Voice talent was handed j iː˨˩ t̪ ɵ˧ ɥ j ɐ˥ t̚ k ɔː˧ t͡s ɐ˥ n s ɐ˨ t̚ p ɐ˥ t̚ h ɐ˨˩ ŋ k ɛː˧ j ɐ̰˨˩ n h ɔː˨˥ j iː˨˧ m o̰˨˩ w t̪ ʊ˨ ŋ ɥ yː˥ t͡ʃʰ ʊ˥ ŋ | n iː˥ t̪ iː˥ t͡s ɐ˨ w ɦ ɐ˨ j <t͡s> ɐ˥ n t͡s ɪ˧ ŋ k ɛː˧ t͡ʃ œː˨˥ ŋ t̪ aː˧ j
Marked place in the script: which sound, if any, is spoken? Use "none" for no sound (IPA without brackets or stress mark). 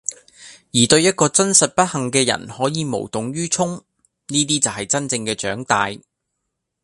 t͡s